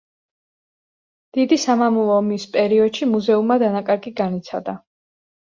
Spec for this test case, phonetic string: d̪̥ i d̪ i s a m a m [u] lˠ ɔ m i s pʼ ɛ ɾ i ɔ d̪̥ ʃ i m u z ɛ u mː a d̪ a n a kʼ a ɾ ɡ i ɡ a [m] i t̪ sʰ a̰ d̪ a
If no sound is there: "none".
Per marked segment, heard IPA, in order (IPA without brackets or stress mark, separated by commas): u, n